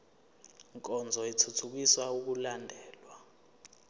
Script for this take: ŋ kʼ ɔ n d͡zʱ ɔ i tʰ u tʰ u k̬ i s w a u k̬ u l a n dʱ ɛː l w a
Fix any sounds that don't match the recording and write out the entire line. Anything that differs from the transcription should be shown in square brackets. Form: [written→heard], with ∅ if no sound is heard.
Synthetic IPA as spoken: ŋ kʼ ɔ n d͡zʱ ɔ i tʰ u tʰ u k̬ i s w a u k̬ u l a n dʱ ɛː l w a